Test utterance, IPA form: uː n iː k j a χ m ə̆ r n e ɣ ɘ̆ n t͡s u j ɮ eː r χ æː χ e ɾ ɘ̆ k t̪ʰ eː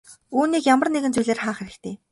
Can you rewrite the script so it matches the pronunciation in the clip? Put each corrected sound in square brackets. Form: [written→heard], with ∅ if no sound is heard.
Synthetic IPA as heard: uː n iː k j a [χ→∅] m ə̆ r n e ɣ ɘ̆ n t͡s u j ɮ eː r χ [æː→aː] χ e ɾ ɘ̆ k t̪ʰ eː